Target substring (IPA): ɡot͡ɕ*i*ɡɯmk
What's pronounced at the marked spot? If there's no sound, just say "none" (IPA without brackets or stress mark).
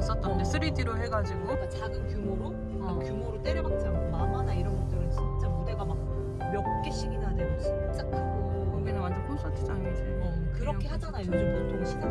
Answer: a